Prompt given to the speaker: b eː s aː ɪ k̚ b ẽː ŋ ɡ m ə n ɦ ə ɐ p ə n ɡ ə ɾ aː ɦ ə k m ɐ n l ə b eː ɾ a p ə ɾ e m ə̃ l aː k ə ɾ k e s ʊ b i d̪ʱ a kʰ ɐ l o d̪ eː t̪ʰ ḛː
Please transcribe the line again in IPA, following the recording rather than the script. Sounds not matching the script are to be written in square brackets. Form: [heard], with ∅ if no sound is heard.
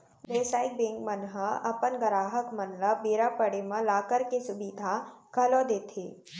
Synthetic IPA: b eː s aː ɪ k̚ b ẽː ŋ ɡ m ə n ɦ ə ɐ p ə n ɡ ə ɾ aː ɦ ə k m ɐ n l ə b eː ɾ a p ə [ɽ] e m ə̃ l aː k ə ɾ k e s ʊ b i d̪ʱ a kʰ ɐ l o d̪ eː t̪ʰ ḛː